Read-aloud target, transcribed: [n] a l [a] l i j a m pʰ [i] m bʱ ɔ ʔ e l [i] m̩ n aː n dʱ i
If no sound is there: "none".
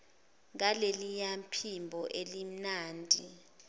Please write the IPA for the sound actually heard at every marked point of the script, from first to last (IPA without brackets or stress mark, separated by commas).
ŋ, e, i, i